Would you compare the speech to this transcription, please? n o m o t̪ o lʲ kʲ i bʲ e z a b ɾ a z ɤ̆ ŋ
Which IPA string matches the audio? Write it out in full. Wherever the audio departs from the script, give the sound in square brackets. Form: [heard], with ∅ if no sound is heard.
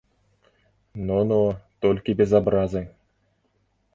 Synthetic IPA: n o [n] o t̪ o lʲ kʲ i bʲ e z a b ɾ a z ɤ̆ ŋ

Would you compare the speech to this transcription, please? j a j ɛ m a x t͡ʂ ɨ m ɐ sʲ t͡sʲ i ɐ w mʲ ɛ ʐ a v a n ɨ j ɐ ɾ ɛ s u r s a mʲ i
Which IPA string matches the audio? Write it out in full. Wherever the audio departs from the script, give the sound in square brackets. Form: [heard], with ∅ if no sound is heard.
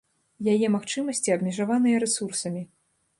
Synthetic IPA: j a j ɛ m a x t͡ʂ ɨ m ɐ sʲ t͡sʲ i ɐ [b] mʲ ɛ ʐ a v a n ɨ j ɐ ɾ ɛ s u r s [ɐ] mʲ i

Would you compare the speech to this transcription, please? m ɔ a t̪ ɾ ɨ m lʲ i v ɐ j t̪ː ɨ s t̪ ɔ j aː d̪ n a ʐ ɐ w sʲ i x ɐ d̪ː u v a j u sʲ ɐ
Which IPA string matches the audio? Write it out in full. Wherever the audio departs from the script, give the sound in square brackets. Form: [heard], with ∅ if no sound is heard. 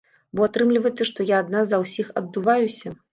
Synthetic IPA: [b] ɔ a t̪ ɾ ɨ m lʲ i v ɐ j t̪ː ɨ [ʂ] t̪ ɔ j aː d̪ n a [z] ɐ w sʲ i x ɐ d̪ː u v a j u sʲ ɐ

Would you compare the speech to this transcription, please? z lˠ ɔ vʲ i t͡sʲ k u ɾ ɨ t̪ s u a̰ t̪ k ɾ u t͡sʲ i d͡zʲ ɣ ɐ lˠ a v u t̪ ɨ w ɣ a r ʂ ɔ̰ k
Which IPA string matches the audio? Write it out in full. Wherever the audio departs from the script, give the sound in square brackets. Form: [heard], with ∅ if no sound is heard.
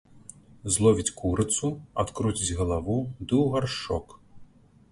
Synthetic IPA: z lˠ ɔ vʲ i t͡sʲ k u ɾ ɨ t̪ s u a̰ t̪ k ɾ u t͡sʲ i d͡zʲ ɣ ɐ lˠ a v u [d̪] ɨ w ɣ a r ʂ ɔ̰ k

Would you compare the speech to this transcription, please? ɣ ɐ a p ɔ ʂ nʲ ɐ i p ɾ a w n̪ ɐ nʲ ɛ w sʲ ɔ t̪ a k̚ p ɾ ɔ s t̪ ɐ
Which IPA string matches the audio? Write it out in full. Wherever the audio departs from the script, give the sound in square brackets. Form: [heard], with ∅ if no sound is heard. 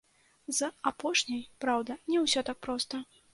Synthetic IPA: [z] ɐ a p ɔ ʂ nʲ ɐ [j] p ɾ a w [d̪] ɐ nʲ ɛ w sʲ ɔ t̪ a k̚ p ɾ ɔ s t̪ ɐ

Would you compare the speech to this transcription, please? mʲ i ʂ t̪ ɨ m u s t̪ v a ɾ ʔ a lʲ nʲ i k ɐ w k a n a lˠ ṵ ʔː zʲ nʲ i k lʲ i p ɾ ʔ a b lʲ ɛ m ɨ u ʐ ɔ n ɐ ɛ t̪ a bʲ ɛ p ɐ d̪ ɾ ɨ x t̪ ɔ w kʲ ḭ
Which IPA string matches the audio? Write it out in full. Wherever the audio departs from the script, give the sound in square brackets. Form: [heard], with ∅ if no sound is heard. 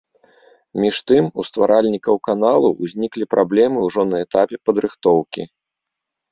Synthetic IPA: mʲ i ʂ t̪ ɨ m u s t̪ v a ɾ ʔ a lʲ nʲ i k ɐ w k a n a lˠ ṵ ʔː zʲ nʲ i k lʲ i p ɾ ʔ a b lʲ ɛ m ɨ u ʐ ɔ n ɐ ɛ t̪ a [pʲ] ɛ p ɐ d̪ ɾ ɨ x t̪ ɔ w kʲ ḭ

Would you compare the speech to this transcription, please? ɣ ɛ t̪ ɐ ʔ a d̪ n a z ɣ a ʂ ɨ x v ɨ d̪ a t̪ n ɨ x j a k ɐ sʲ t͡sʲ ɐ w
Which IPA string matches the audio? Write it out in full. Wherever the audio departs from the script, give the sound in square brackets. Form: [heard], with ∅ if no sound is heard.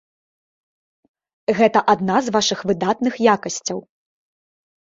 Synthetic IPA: ɣ ɛ t̪ ɐ ʔ a d̪ n a z [v] a ʂ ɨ x v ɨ d̪ a t̪ n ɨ x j a k ɐ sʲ t͡sʲ ɐ w

